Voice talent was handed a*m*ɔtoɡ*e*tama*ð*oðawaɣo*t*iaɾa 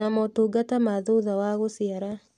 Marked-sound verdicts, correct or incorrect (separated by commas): correct, incorrect, correct, incorrect